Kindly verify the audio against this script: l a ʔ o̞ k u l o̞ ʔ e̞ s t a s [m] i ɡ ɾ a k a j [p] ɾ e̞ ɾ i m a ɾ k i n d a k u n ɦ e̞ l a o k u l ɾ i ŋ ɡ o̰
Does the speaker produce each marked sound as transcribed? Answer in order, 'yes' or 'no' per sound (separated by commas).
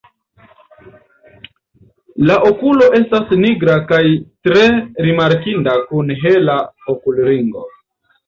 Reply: no, no